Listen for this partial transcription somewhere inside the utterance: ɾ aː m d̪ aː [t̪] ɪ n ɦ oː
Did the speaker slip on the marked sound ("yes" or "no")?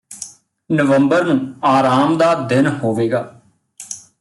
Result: yes